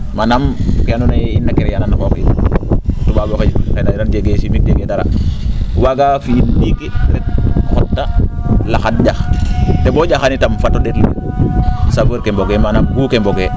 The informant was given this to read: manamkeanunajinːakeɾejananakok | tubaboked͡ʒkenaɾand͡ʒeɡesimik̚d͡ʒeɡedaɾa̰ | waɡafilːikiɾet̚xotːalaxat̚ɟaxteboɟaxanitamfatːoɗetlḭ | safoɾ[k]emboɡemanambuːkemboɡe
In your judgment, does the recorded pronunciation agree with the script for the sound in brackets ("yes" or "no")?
yes